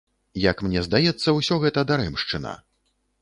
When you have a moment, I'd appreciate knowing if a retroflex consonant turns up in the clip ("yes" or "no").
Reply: yes